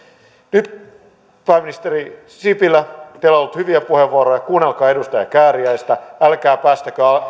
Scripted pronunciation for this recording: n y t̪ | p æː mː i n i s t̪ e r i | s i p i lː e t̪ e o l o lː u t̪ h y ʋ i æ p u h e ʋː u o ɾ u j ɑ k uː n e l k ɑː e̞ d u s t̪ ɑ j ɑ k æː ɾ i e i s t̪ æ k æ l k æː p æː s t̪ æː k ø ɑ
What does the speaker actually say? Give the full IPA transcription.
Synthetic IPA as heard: n y t̪ | p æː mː i n i s t̪ e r i | s i p i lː æ t̪ e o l o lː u t̪ h y ʋ i æ p u h e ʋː u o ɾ o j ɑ k uː n e l k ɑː e̞ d u s t̪ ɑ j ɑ k æː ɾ i æ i s t̪ æ æ l k æː p æː s t̪ æ k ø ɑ